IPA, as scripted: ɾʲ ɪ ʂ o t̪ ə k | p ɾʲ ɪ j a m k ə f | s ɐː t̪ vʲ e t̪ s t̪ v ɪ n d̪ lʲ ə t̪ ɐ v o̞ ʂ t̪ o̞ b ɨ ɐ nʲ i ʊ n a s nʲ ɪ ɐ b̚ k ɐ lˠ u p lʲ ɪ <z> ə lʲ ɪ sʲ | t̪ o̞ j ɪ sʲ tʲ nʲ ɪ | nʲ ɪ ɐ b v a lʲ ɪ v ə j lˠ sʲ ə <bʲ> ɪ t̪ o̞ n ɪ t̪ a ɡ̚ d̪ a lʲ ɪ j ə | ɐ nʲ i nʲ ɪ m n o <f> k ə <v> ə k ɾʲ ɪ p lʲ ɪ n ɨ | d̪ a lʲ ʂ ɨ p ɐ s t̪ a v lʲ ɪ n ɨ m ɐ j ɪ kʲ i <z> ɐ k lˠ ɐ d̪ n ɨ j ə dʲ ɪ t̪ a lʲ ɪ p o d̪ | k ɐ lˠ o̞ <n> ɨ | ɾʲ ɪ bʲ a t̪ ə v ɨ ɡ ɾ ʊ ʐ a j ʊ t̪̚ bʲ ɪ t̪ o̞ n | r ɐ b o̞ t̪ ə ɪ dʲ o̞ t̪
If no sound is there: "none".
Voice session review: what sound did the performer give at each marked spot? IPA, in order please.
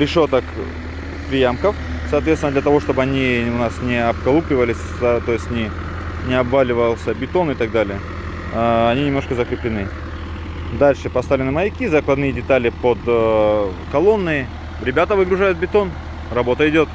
v, bʲ, ʂ, z, z, nː

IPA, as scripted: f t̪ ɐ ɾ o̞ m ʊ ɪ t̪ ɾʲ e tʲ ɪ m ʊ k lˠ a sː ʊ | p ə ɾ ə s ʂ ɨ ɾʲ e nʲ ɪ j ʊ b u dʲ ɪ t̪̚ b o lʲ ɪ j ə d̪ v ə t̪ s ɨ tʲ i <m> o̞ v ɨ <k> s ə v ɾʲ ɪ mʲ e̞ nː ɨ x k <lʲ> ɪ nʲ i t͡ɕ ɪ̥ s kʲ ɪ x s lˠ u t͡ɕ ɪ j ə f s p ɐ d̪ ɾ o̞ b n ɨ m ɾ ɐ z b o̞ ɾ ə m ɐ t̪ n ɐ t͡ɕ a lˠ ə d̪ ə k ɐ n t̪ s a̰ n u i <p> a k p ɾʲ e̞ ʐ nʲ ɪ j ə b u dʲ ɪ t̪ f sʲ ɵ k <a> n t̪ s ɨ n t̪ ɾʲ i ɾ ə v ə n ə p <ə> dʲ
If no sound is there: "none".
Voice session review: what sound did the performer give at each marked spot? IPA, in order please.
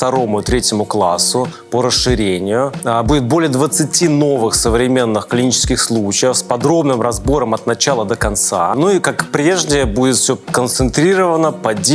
n, x, lʲ, k, ə, ɐ

